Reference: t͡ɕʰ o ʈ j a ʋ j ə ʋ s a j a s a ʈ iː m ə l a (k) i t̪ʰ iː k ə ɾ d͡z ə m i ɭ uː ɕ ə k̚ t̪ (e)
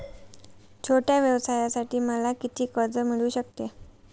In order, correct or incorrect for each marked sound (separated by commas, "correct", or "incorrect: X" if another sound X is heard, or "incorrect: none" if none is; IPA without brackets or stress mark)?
correct, correct